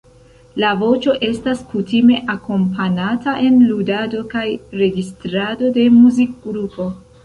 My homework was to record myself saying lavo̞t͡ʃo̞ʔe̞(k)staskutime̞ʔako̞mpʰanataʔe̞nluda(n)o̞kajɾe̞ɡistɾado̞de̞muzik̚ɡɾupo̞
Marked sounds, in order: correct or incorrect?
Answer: incorrect: none, incorrect: d

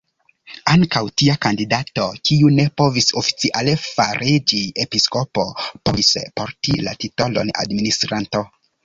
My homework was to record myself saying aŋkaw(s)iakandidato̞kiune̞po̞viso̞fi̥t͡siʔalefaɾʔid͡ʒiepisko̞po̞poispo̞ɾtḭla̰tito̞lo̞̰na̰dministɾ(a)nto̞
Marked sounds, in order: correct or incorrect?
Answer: incorrect: t, correct

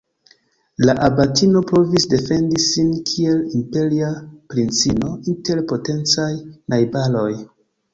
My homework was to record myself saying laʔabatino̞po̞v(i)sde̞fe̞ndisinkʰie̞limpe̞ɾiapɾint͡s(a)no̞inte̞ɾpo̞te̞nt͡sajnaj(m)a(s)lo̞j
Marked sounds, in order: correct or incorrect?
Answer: correct, incorrect: i, incorrect: b, incorrect: none

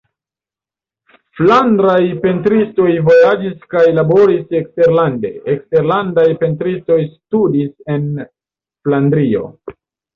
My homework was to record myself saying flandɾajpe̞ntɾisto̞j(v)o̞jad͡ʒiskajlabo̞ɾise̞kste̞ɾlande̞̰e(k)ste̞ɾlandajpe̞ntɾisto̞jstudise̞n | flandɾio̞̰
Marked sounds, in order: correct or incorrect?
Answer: correct, correct

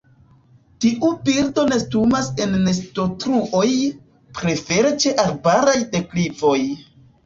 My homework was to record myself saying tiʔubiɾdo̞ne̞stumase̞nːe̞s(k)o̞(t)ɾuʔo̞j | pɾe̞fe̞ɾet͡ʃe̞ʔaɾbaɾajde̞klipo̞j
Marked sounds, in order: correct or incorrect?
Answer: incorrect: t, correct

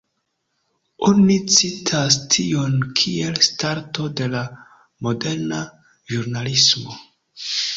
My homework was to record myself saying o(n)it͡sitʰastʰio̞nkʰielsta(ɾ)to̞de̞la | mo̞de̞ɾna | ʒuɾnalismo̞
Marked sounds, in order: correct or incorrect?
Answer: correct, correct

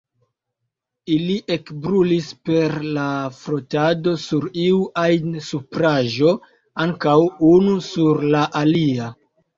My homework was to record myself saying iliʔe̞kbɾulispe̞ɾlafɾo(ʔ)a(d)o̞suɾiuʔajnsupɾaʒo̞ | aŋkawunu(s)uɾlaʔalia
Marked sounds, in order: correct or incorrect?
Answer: incorrect: t, correct, correct

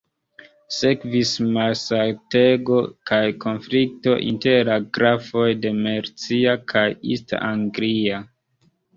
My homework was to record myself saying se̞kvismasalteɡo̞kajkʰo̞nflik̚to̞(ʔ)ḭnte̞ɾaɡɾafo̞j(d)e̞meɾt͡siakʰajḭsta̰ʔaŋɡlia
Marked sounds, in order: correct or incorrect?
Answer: correct, correct

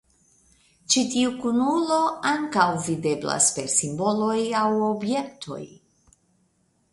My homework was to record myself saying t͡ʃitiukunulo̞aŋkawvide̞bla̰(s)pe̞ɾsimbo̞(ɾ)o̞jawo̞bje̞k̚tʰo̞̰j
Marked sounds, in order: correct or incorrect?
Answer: correct, incorrect: l

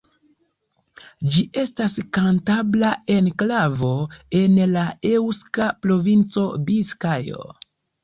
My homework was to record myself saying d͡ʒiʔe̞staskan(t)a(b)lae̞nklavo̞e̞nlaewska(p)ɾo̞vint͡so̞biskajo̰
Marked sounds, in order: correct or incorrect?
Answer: correct, correct, correct

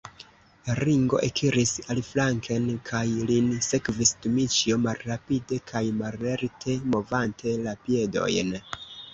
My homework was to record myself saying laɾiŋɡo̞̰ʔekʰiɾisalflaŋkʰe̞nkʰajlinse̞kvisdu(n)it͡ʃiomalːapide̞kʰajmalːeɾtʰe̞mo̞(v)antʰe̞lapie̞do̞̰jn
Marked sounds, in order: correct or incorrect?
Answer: incorrect: m, correct

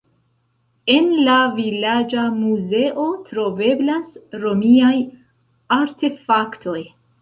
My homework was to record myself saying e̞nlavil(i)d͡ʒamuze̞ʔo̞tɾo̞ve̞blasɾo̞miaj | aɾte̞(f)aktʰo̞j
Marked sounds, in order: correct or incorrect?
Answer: incorrect: a, correct

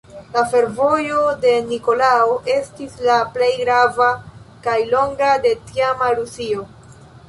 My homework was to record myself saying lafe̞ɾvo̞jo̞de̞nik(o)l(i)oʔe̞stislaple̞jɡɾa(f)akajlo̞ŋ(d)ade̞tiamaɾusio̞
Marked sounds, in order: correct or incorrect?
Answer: correct, incorrect: a, incorrect: v, incorrect: ɡ

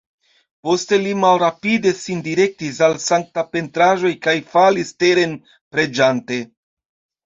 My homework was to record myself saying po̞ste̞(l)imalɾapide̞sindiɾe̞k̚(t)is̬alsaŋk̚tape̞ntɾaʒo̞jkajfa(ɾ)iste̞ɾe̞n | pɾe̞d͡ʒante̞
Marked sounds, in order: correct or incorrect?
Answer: correct, correct, incorrect: l

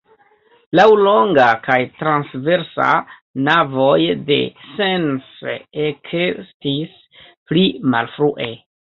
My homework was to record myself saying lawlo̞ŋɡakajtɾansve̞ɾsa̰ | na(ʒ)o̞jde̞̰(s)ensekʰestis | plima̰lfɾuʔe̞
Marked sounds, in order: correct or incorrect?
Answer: incorrect: v, correct

